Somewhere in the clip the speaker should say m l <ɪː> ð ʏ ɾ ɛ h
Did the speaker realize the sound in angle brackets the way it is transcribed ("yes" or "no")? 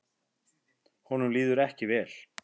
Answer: no